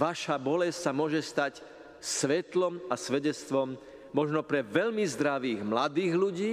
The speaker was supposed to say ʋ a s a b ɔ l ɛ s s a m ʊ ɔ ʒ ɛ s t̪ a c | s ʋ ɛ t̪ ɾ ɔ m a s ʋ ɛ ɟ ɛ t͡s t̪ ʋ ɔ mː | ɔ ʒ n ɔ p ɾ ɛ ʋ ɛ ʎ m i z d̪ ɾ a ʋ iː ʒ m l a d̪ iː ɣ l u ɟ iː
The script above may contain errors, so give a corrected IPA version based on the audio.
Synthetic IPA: ʋ a ʃ a b ɔ l ɛ s s a m ʊ ɔ ʒ ɛ s t̪ a c | s ʋ ɛ t̪ l ɔ m a s ʋ ɛ ɟ ɛ t͡s t̪ ʋ ɔ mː | ɔ ʒ n ɔ p ɾ ɛ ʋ ɛ ʎ m i z d̪ ɾ a ʋ iː ɣ m l a d̪ iː ɣ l u ɟ iː